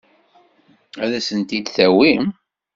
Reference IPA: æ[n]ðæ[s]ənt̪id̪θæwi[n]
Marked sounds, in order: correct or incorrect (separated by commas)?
incorrect, correct, incorrect